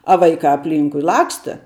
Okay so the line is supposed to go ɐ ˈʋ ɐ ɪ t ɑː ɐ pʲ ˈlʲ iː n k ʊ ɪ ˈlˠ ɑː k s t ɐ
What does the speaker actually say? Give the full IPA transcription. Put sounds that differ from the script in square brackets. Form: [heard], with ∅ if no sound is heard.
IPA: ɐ ˈʋ ɐ ɪ [k] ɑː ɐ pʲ ˈlʲ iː [ŋ] k ʊ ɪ ˈlˠ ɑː k s t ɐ